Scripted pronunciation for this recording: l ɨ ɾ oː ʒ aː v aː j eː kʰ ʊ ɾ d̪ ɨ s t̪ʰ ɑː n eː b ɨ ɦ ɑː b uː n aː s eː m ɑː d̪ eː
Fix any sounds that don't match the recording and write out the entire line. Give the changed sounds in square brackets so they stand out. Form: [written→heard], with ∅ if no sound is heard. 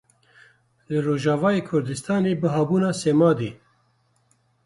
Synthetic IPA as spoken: l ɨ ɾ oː ʒ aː v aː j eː kʰ ʊ ɾ d̪ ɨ s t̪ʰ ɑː n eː b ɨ ɦ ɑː b uː n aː s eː m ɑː d̪ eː